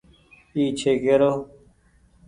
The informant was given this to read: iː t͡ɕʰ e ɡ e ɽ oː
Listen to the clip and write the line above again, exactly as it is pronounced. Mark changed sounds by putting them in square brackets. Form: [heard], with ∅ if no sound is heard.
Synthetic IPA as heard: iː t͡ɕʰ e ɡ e [ɾ] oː

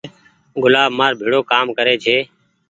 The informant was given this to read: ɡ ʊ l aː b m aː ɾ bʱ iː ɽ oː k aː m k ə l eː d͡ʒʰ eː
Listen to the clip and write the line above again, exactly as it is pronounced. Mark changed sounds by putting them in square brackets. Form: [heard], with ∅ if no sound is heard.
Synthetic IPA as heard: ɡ ʊ l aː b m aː ɾ bʱ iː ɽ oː k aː m k ə [ɾ] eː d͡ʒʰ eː

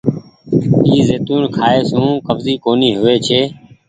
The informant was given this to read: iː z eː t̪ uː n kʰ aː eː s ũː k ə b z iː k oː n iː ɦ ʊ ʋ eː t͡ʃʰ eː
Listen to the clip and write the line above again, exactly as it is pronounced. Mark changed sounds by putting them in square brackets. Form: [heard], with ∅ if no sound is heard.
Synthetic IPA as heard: iː z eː t̪ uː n kʰ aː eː s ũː k ə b z iː k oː n iː ɦ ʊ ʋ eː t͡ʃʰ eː

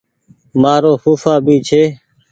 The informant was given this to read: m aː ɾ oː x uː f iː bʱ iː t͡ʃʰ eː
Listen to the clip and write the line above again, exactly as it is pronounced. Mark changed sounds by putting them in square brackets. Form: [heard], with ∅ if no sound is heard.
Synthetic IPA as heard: m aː ɾ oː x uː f [aː] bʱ iː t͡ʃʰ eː

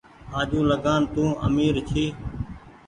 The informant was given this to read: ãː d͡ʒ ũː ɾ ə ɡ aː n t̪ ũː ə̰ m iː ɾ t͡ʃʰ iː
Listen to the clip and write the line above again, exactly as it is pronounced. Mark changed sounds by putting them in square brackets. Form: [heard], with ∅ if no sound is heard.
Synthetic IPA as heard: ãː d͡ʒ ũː [l] ə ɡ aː n t̪ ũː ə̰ m iː ɾ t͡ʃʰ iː

